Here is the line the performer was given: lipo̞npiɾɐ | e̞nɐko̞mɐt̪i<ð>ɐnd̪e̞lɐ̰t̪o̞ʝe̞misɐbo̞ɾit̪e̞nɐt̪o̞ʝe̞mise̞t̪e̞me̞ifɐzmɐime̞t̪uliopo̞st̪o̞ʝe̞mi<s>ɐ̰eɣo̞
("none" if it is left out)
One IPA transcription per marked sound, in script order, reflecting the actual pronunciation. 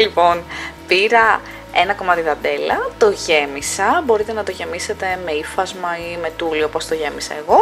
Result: ð, s

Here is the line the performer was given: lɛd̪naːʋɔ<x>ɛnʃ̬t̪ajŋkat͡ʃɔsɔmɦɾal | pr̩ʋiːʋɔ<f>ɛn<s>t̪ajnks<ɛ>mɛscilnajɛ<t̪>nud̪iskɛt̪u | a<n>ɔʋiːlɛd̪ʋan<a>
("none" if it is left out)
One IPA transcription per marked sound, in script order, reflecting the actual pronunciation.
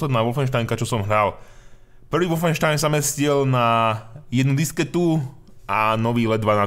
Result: f, f, ʃ, a, d̪, n, a

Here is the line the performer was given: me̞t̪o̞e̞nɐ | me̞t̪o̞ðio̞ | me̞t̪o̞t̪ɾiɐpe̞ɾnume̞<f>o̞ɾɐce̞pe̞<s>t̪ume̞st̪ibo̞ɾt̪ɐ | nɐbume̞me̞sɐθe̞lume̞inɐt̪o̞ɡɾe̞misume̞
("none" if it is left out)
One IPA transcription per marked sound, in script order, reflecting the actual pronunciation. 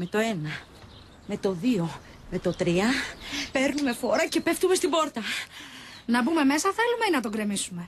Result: f, f

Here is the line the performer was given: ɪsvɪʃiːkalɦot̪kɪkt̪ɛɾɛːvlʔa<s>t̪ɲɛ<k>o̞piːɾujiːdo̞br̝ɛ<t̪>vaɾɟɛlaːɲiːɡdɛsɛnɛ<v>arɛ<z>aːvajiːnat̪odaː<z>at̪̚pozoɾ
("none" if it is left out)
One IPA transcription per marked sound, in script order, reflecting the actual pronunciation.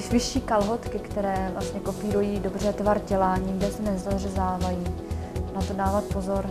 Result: s, k, t̪, z, z, v

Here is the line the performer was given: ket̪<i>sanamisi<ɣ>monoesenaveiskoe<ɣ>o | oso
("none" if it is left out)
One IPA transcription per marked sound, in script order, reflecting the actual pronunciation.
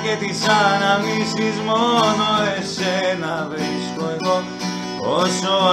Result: i, z, ɣ

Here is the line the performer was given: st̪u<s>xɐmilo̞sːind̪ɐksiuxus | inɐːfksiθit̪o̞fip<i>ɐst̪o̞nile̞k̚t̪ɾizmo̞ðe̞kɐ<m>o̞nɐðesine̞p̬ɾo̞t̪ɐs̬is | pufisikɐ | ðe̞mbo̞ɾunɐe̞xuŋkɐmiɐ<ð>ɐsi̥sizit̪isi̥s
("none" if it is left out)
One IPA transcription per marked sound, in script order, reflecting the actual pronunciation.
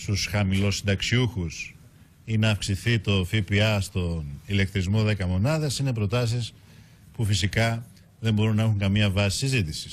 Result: s, i, m, v

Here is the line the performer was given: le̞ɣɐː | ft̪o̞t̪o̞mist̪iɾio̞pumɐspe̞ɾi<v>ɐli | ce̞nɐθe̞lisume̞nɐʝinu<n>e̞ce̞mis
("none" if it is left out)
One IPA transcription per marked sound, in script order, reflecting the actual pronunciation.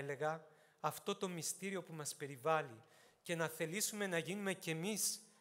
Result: v, m

